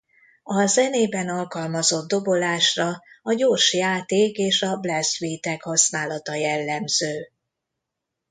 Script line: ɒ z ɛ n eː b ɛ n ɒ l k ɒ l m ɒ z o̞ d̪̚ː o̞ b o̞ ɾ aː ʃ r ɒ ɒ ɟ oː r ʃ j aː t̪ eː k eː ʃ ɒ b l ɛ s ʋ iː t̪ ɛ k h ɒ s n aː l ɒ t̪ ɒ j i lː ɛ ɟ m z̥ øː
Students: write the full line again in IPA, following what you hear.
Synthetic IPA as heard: ɒ z ɛ n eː b ɛ n ɒ l k ɒ l m ɒ z o̞ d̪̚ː o̞ b o̞ l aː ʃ r ɒ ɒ ɟ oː r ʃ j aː t̪ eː k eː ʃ ɒ b l ɛ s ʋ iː t̪ ɛ k h ɒ s n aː l ɒ t̪ ɒ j ɛ lː ɛ m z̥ øː